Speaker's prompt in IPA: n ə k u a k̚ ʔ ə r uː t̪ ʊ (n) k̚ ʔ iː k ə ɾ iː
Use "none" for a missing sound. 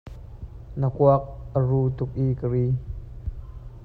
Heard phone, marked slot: none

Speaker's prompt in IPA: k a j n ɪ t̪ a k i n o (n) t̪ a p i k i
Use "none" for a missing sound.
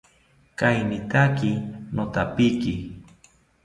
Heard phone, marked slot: none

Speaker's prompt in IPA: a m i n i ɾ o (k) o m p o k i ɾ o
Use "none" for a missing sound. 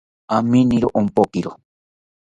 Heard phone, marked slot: ʔ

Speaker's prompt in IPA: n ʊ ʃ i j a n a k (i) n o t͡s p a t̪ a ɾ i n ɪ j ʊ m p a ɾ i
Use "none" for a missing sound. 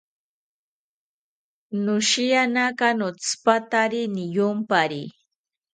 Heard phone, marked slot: a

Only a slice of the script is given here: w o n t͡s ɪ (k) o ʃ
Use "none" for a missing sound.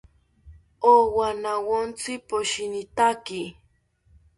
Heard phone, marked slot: p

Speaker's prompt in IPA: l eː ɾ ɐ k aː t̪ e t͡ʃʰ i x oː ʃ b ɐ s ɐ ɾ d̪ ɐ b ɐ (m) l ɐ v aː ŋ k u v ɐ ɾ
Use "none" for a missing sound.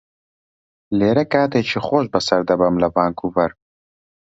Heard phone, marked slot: m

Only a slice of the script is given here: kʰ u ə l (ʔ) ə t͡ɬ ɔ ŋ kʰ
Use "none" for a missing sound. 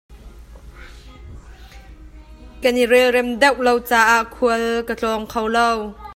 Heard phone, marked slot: k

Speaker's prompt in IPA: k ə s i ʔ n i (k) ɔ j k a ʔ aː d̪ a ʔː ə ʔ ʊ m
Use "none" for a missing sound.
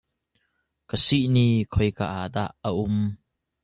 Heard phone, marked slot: kʰ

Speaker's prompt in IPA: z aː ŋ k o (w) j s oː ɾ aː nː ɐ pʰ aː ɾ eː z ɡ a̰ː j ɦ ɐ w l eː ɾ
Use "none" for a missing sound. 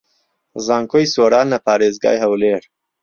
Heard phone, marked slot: none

